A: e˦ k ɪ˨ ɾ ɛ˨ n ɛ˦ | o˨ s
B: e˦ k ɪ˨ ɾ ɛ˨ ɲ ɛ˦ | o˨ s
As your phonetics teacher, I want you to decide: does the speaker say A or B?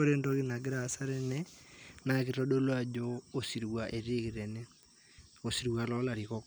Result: A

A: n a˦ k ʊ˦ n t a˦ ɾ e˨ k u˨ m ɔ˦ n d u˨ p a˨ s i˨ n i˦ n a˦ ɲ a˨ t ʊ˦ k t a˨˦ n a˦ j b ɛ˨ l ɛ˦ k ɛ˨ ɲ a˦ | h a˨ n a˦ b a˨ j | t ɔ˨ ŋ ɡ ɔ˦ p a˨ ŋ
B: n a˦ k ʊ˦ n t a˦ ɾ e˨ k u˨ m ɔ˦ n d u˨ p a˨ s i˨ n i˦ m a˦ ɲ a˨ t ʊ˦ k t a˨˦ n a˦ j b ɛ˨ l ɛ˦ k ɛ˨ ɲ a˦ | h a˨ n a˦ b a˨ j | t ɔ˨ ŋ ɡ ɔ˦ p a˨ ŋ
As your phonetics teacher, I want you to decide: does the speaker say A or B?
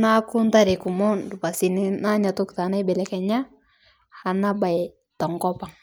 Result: A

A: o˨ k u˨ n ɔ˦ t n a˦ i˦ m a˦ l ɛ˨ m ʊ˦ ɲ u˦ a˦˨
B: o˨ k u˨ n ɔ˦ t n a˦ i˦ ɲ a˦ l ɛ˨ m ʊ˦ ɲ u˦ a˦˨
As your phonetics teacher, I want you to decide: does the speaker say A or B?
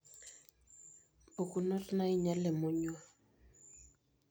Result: B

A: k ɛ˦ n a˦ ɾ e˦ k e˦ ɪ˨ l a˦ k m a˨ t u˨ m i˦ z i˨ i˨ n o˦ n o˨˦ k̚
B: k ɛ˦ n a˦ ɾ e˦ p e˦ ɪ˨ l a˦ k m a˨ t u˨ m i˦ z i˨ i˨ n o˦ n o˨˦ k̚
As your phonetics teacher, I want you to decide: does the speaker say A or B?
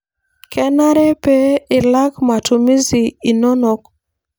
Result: B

